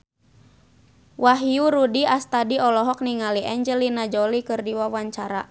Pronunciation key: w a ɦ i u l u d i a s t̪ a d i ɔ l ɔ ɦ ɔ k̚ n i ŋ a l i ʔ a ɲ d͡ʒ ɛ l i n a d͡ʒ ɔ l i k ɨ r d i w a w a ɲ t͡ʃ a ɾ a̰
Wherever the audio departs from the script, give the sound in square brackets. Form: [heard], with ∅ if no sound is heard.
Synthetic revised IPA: w a ɦ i u [ɾ] u d i a s t̪ a d i ɔ l ɔ ɦ ɔ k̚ n i ŋ a l i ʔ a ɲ d͡ʒ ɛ l i n a d͡ʒ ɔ l i k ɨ r d i w a w a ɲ t͡ʃ a ɾ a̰